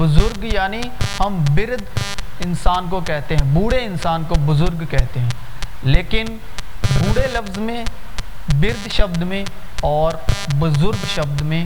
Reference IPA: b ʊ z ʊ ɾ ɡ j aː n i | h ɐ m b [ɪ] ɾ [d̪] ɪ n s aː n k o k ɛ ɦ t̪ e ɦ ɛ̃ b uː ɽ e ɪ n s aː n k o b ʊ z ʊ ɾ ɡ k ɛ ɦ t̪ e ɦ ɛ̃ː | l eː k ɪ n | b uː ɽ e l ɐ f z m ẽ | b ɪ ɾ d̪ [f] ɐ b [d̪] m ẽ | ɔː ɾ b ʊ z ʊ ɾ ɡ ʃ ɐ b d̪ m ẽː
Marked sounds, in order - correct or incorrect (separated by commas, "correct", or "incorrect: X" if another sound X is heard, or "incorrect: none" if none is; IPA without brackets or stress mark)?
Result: correct, correct, incorrect: ʃ, correct